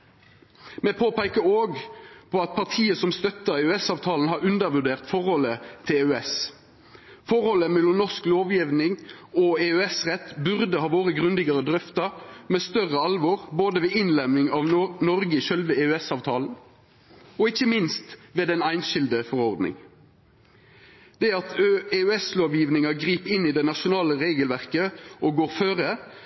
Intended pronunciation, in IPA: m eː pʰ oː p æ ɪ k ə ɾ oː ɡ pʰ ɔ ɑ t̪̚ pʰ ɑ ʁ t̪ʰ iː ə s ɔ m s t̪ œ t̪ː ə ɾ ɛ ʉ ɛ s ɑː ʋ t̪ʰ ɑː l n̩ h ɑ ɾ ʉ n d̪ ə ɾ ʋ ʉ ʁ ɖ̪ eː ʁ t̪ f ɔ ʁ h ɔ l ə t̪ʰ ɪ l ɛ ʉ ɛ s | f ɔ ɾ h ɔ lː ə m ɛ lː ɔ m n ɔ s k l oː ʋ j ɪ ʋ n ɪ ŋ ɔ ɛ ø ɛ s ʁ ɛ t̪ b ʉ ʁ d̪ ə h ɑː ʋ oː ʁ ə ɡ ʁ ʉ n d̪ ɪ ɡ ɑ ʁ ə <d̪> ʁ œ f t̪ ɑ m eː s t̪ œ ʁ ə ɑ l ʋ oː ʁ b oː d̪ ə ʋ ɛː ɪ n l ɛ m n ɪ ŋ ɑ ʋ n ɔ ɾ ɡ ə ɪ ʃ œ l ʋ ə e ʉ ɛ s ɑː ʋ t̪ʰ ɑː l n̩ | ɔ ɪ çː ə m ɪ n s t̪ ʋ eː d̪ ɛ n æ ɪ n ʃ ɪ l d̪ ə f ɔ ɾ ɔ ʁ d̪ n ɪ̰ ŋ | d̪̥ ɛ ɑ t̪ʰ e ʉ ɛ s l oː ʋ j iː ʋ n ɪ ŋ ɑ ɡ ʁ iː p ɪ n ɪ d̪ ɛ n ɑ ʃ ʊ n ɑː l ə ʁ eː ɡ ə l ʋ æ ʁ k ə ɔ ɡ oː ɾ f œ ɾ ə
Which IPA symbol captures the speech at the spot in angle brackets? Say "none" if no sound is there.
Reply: d̪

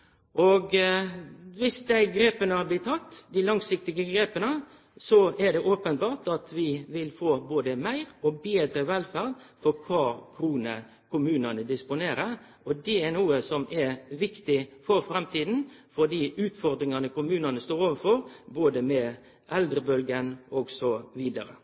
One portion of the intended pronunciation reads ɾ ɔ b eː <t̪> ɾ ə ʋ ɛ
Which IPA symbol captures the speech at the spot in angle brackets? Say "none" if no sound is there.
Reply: d̪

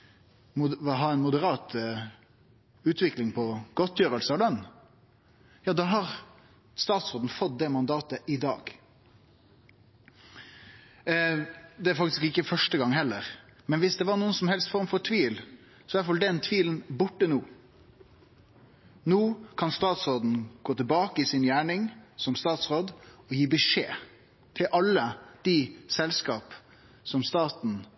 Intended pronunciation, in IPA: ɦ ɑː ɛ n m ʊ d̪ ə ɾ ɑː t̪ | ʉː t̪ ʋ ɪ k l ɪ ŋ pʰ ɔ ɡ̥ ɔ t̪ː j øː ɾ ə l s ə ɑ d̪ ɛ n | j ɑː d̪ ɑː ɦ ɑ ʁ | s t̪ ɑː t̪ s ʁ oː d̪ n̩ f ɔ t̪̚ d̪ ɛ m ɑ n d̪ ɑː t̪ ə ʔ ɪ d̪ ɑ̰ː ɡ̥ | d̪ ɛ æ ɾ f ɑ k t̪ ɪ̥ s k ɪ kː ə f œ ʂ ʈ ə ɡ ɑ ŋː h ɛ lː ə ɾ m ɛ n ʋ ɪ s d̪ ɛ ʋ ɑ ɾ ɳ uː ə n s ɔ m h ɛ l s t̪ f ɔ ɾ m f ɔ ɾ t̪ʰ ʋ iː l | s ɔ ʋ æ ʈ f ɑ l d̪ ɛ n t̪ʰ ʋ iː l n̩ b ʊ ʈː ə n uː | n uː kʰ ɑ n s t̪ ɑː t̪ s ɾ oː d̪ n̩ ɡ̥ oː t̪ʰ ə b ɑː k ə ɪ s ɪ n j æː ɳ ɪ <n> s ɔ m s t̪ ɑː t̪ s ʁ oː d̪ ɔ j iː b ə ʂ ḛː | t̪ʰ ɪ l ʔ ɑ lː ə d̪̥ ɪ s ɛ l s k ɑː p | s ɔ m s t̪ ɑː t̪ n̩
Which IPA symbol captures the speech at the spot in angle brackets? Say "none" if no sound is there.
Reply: ŋ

